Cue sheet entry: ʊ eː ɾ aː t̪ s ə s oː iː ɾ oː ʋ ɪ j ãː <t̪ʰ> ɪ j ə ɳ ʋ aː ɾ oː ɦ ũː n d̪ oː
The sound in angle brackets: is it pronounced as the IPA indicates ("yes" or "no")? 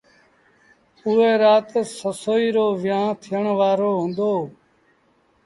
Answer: yes